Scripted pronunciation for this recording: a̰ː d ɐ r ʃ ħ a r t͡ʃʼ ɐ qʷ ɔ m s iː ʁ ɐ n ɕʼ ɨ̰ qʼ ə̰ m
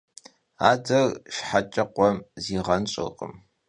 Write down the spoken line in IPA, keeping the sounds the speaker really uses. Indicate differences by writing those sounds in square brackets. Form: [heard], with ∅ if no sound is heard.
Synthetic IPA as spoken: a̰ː d ɐ r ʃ ħ a [∅] t͡ʃʼ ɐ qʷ ɔ m [z] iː ʁ ɐ n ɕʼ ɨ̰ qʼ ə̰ m